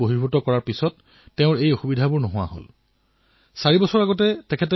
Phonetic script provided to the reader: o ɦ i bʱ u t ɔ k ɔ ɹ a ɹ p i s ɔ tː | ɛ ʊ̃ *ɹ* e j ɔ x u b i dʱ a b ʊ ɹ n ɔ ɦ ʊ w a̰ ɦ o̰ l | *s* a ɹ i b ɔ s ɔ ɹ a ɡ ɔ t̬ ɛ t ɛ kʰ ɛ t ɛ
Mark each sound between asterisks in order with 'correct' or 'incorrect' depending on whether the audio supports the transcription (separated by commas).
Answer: correct, correct